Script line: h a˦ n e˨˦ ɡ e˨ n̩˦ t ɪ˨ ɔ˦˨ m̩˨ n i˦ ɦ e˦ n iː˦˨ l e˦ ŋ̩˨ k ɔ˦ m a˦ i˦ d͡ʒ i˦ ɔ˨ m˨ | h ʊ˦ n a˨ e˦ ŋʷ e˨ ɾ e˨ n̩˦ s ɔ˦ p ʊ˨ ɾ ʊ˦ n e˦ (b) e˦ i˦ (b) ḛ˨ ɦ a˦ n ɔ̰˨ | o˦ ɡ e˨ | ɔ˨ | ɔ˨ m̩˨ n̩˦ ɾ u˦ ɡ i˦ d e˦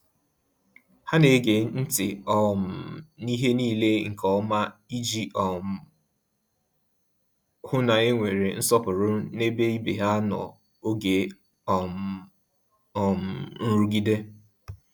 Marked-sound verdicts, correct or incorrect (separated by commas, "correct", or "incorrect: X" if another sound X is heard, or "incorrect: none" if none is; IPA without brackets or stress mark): correct, correct